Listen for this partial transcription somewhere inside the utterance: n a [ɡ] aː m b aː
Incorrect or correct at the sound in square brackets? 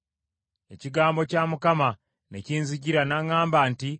incorrect: ŋ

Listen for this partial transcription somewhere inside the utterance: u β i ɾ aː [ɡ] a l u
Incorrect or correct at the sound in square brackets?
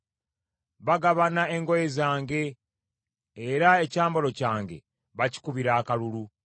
incorrect: k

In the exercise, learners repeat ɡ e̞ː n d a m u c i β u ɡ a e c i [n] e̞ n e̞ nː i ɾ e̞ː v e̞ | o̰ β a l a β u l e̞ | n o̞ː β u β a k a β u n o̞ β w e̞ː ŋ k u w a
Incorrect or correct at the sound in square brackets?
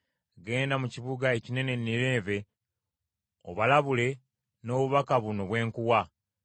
correct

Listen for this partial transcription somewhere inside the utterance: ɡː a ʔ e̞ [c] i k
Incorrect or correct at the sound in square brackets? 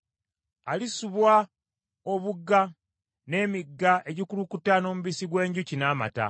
incorrect: ɟ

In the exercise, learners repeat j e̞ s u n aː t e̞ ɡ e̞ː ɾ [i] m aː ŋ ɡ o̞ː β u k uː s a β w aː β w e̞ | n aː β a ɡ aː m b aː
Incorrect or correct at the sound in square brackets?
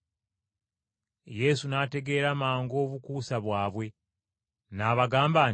incorrect: a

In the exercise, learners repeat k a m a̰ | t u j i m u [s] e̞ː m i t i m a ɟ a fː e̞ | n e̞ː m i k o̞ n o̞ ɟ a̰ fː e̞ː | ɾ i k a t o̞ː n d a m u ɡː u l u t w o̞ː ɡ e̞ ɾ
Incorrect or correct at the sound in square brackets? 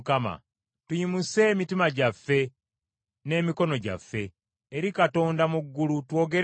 correct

